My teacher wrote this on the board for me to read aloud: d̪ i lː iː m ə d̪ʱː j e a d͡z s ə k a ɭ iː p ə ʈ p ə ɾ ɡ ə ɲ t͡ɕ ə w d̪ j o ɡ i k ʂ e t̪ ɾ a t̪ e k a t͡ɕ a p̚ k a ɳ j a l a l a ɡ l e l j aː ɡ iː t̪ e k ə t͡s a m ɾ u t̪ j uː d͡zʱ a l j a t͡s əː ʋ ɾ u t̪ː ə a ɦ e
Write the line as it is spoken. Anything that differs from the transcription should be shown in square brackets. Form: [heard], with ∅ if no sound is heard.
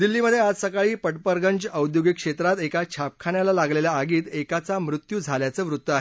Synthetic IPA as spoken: d̪ i lː iː m ə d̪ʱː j e a d͡z s ə k a ɭ iː p ə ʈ p ə ɾ ɡ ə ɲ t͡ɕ ə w d̪ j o ɡ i k ʂ e t̪ ɾ a t̪ e k a [t͡ɕʰ] a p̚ [kʰ] a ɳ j a l a l a ɡ l e l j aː ɡ iː t̪ e k [a] t͡s a m ɾ u t̪ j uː d͡zʱ a l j a t͡s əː ʋ ɾ u t̪ː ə a ɦ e